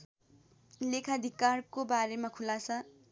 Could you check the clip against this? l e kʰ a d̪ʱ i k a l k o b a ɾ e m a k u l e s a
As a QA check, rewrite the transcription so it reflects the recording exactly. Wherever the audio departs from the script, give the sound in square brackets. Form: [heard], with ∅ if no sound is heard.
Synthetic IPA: l e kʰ a d̪ʱ i k a [r] k o b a ɾ e m a [kʰ] u l [a] s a